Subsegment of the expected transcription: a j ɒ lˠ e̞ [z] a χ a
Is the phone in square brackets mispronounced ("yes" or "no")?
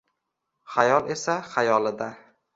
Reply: yes